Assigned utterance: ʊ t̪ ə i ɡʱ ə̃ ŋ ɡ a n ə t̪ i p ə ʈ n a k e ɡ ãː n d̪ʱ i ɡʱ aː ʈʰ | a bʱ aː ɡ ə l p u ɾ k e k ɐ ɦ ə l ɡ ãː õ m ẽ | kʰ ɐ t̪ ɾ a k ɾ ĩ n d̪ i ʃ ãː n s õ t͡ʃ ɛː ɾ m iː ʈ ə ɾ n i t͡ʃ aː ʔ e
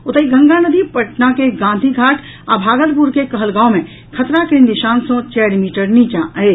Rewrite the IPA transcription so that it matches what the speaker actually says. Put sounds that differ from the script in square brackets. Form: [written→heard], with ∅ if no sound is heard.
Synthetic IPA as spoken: ʊ t̪ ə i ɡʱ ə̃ ŋ ɡ a n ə [t̪→d̪] i p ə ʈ n a k e ɡ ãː n d̪ʱ i ɡʱ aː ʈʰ | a bʱ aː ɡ ə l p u ɾ k e k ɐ ɦ ə l ɡ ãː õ m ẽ | kʰ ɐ t̪ ɾ a k ɾ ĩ n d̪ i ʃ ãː n s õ t͡ʃ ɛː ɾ m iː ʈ ə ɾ n i t͡ʃ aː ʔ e